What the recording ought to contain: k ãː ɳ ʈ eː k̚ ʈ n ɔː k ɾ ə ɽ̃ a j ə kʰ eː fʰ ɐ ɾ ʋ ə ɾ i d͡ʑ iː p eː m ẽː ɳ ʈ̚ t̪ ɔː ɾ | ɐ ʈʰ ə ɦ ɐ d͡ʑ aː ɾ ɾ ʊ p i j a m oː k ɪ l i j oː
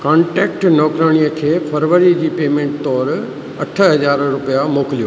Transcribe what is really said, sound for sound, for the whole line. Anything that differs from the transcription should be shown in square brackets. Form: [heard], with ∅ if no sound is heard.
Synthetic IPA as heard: k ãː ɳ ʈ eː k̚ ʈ n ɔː k ɾ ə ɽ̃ [i] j ə kʰ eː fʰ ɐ ɾ ʋ ə ɾ i d͡ʑ iː p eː m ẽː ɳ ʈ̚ t̪ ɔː ɾ | ɐ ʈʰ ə ɦ ɐ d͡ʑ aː ɾ ɾ ʊ p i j a m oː k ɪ l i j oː